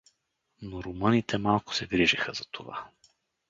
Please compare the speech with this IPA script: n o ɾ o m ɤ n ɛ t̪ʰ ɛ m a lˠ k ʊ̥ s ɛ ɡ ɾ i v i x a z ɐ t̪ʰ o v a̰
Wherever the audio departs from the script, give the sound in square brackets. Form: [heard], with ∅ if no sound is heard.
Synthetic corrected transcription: n o ɾ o m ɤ n [i] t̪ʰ ɛ m a lˠ k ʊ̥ s ɛ ɡ ɾ i [ʒ] i x [ə] z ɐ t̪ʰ o v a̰